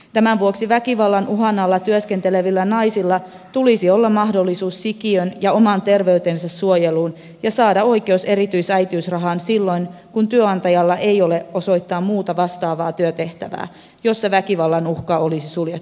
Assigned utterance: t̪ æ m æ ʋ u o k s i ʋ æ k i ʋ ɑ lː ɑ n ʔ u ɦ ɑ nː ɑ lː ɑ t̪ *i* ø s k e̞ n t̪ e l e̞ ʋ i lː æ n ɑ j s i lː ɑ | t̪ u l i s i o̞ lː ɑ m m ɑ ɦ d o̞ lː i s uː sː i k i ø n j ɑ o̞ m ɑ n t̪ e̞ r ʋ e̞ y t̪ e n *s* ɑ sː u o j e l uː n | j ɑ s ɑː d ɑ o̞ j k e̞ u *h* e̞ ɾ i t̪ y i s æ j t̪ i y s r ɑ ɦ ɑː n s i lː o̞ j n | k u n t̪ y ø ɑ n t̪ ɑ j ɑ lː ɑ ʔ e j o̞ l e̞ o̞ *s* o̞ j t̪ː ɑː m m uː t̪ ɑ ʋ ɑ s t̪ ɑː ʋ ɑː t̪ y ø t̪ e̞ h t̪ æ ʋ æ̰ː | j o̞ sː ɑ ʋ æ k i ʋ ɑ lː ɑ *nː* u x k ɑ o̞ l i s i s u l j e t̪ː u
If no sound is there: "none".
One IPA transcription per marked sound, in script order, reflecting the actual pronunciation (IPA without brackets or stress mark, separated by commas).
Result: y, s, s, s, n